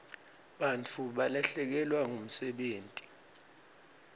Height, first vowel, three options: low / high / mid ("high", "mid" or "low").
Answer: low